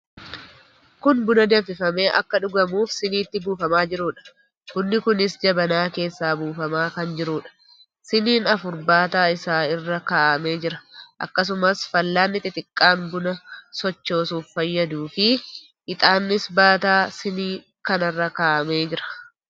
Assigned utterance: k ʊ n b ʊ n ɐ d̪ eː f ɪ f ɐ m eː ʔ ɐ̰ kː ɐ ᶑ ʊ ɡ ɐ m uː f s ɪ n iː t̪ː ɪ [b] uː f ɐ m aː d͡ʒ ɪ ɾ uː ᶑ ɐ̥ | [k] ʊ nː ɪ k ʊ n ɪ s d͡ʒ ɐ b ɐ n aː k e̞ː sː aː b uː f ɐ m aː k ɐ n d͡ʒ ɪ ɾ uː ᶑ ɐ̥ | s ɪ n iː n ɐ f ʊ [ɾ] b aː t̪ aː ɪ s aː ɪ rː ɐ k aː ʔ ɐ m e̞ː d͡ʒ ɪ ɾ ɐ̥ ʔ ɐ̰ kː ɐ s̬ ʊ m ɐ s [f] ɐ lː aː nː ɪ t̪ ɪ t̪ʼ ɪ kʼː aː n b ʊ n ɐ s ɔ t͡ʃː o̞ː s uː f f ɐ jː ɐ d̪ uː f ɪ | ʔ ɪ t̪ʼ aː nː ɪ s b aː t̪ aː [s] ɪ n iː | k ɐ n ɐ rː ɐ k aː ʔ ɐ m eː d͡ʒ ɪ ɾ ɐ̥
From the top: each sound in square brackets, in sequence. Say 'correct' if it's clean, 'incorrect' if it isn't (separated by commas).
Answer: correct, correct, correct, correct, correct